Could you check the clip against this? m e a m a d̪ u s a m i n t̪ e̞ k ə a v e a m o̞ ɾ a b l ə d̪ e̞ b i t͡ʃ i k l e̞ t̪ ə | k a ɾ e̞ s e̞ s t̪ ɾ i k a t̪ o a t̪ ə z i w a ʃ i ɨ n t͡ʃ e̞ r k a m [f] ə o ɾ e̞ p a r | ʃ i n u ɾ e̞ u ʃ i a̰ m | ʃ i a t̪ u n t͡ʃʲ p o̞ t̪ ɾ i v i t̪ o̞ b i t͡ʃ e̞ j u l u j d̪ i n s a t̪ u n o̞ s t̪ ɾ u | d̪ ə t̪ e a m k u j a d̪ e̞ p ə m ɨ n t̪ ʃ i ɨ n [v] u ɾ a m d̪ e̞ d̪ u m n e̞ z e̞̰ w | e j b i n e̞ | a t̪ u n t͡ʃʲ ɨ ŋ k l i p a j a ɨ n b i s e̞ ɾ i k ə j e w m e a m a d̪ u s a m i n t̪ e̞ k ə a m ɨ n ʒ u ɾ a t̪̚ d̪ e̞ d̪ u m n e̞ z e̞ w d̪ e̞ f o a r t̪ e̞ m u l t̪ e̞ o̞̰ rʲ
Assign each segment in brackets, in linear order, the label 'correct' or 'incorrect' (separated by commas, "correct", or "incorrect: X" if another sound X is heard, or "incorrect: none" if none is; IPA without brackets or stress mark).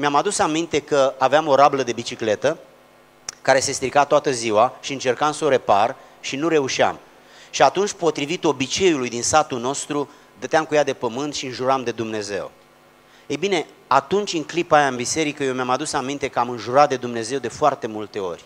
incorrect: s, incorrect: ʒ